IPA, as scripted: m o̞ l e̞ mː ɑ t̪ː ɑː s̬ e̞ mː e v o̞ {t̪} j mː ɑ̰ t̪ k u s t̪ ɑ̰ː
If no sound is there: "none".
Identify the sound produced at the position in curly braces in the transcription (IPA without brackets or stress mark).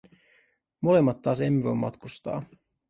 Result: none